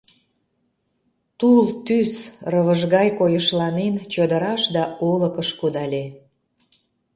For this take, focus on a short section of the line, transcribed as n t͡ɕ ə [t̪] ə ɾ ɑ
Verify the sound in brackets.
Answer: incorrect: d̪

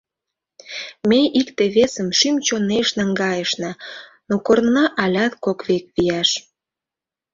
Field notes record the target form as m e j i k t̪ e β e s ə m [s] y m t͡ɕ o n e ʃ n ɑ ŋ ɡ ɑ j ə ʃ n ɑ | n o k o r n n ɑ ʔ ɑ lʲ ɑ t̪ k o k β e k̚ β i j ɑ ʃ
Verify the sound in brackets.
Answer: incorrect: ʃ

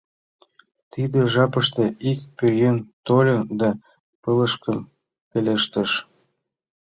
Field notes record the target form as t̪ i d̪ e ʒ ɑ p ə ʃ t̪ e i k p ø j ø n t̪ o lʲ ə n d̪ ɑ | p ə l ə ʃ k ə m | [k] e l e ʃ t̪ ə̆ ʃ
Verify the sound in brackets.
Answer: incorrect: p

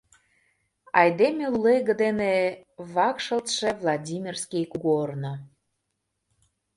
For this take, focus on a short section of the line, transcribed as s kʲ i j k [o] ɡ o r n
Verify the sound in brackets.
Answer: incorrect: u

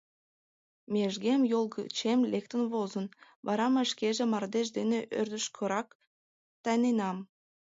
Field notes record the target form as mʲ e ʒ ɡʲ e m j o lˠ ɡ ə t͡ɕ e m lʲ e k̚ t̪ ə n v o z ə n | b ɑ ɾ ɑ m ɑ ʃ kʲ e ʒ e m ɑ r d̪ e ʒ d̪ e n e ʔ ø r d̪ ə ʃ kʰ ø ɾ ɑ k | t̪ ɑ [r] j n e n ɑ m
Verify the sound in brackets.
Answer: incorrect: none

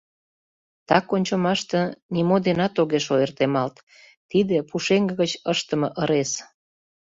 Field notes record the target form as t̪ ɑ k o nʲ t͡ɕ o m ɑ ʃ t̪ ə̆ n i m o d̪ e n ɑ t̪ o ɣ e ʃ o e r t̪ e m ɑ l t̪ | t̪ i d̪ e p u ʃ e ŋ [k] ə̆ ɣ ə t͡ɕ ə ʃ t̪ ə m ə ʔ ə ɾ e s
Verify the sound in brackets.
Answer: incorrect: ɡ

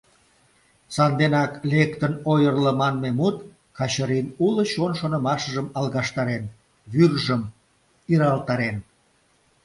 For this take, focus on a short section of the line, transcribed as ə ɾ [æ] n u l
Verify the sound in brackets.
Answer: incorrect: i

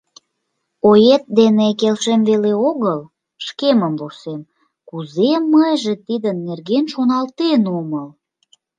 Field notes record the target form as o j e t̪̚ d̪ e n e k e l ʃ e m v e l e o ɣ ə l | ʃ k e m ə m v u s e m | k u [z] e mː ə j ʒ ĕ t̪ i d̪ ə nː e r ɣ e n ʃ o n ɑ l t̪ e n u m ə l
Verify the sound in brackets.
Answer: correct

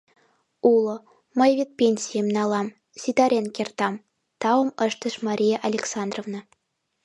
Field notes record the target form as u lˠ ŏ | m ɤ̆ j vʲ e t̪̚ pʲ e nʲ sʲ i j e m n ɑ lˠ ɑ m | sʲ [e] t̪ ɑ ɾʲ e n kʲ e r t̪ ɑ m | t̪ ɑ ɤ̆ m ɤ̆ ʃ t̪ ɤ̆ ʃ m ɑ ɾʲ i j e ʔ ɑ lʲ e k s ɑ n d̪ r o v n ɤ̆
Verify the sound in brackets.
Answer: incorrect: i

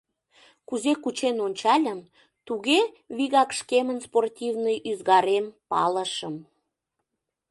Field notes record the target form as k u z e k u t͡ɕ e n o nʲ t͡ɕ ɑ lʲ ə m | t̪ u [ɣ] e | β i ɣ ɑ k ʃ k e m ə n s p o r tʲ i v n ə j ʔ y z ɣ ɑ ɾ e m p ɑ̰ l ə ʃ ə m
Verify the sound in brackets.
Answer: correct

